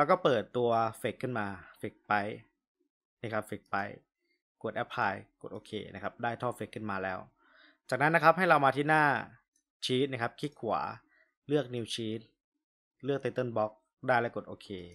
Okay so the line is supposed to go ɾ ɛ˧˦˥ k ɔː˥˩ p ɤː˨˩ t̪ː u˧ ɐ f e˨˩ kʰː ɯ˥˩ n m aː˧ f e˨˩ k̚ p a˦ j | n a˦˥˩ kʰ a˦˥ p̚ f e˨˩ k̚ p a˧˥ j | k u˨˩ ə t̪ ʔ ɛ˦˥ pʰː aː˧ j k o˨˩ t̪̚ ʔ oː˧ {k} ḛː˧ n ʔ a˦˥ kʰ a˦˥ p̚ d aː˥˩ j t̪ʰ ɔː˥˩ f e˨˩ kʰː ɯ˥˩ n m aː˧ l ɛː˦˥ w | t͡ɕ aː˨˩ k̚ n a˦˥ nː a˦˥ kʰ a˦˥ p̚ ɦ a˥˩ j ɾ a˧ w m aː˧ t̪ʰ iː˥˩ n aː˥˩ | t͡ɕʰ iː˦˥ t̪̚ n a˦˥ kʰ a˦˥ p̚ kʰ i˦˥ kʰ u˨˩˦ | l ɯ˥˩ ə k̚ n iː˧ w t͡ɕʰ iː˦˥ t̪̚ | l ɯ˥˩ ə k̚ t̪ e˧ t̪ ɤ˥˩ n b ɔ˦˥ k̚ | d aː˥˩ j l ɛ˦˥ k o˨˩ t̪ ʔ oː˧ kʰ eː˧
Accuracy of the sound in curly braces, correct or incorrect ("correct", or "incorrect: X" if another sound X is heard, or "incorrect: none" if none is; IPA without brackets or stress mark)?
incorrect: kʰ